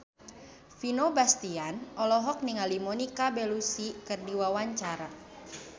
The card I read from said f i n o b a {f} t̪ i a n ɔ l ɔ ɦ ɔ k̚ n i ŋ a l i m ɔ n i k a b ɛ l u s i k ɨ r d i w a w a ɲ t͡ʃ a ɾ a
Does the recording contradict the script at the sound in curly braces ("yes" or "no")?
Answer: yes